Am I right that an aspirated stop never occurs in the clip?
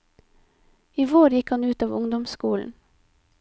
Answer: yes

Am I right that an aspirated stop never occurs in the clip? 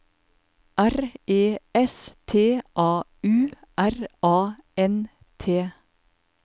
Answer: no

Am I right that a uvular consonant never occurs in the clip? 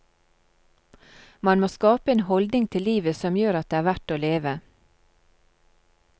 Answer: yes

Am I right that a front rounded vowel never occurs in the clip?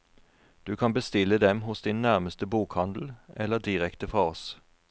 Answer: yes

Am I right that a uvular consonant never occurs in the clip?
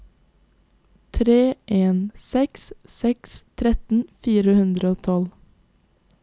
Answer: yes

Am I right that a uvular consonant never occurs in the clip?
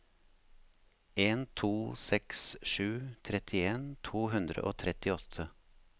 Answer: yes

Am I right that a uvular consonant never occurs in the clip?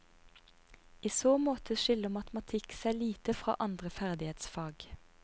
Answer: no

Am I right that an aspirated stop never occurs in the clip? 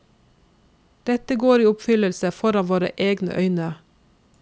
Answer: yes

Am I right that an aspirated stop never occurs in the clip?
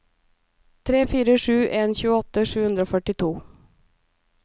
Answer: no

